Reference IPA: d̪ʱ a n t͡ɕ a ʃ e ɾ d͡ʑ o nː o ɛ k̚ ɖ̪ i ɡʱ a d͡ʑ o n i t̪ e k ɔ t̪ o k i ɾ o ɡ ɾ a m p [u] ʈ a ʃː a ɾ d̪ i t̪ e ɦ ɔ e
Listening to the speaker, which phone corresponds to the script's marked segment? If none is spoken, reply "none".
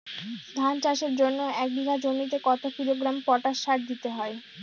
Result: ɔ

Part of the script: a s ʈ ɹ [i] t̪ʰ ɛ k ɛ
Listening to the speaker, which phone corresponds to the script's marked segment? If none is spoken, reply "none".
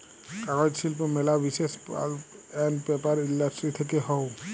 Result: i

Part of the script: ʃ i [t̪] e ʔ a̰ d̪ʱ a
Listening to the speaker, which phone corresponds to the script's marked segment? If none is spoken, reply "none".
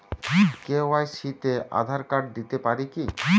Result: t̪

